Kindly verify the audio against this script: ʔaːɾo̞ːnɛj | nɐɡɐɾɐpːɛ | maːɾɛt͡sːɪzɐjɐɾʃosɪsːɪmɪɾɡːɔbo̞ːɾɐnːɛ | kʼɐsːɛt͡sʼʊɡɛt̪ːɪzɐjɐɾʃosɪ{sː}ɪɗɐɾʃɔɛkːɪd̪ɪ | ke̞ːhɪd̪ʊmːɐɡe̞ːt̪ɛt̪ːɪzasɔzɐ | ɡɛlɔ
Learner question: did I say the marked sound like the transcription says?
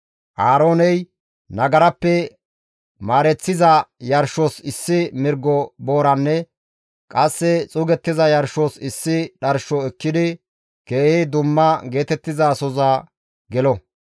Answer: yes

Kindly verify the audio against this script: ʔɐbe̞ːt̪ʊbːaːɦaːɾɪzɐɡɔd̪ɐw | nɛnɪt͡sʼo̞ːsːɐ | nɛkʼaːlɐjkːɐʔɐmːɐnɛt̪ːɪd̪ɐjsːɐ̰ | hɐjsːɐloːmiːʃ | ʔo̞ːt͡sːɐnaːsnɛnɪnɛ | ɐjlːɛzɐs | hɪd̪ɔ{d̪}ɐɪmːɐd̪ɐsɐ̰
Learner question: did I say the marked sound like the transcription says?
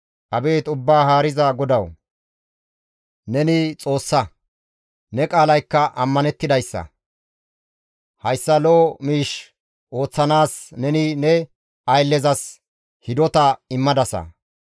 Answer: no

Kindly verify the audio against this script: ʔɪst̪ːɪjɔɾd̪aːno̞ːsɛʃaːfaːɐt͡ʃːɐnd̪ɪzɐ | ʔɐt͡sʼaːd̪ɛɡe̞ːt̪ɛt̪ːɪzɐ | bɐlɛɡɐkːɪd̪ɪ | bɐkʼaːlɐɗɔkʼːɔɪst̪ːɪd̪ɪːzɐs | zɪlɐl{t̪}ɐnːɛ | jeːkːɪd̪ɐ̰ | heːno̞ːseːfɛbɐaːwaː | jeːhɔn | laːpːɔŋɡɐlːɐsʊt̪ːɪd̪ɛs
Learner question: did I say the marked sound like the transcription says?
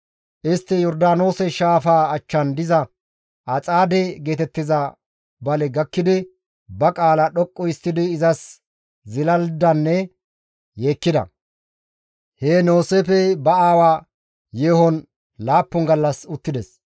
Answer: no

